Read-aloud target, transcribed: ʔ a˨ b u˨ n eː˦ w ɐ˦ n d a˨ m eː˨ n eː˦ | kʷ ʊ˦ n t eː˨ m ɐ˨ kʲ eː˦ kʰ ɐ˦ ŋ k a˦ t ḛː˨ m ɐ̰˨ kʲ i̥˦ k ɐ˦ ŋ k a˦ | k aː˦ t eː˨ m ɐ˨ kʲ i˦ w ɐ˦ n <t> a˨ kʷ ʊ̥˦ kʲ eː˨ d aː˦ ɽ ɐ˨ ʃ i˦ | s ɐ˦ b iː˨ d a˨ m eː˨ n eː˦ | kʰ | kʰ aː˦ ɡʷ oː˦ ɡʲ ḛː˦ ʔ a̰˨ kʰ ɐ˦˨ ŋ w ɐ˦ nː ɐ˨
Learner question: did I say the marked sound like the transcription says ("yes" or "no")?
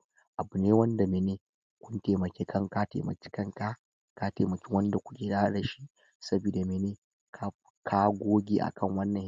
no